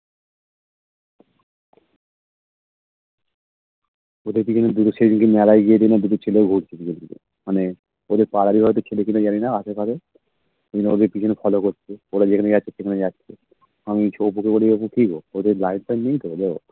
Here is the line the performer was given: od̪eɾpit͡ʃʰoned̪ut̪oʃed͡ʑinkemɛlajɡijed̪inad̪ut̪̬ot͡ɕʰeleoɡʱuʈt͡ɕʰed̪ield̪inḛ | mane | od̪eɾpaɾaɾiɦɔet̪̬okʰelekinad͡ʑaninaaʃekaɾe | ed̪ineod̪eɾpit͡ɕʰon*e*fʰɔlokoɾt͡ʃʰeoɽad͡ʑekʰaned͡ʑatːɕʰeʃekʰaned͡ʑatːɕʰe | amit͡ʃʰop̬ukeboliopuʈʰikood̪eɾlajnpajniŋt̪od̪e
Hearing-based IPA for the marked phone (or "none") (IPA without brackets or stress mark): e